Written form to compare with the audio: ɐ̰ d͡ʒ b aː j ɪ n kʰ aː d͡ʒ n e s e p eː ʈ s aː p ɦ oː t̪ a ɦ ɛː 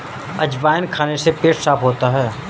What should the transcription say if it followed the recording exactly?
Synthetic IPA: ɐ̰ d͡ʒ b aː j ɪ n kʰ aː n e s e p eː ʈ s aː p ɦ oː t̪ a ɦ ɛː